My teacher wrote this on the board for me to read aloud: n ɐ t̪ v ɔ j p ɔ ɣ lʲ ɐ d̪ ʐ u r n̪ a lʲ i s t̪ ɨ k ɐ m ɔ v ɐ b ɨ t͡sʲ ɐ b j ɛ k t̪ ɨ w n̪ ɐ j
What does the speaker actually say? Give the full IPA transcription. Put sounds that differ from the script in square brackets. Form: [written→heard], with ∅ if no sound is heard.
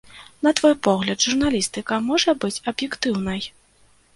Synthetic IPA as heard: n ɐ t̪ v ɔ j p ɔ ɣ lʲ ɐ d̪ ʐ u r n̪ a lʲ i s t̪ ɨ k ɐ m ɔ [v→ʐ] ɐ b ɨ t͡sʲ ɐ b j ɛ k t̪ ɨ w n̪ ɐ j